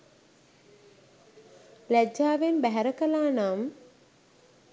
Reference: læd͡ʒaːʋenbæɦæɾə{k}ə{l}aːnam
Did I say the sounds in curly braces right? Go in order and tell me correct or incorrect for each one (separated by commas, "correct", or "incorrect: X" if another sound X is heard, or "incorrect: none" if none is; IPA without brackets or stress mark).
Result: correct, correct